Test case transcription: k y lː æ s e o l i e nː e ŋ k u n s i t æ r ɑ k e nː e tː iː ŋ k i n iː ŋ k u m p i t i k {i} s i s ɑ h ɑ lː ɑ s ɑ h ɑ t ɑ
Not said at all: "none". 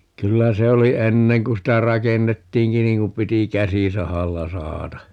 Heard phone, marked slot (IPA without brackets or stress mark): æ